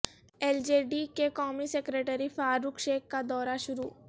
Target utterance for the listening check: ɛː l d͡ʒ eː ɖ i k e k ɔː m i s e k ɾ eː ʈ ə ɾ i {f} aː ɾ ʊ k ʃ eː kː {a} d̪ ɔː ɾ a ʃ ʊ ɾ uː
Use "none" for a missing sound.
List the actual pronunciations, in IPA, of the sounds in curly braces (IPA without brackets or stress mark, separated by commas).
f, a